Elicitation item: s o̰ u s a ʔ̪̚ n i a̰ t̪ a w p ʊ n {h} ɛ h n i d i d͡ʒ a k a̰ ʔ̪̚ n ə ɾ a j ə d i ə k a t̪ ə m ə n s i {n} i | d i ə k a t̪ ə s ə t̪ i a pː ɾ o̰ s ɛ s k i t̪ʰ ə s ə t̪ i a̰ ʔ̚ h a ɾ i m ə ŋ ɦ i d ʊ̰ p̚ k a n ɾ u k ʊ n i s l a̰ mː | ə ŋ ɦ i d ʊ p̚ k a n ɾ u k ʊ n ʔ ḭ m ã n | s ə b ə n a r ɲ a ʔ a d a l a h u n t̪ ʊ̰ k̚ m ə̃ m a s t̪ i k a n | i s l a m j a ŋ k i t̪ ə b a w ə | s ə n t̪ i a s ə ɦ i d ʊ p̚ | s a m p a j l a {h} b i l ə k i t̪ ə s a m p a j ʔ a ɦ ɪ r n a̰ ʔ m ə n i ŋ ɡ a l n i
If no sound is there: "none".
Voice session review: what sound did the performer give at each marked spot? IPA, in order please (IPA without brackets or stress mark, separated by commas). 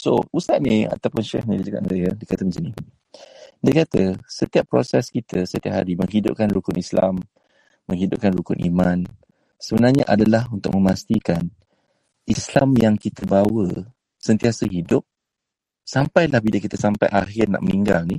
ʃ, n, h